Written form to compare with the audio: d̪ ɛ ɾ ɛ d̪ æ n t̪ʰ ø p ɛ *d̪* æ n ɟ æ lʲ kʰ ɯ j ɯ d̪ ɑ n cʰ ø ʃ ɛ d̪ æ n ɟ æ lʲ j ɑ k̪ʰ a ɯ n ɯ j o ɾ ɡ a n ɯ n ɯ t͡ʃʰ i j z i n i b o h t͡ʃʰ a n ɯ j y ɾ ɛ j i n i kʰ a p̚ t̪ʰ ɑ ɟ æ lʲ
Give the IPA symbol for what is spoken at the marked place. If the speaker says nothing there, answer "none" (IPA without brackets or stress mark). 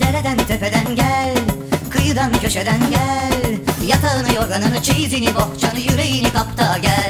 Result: d̪